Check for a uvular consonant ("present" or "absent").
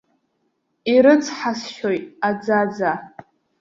absent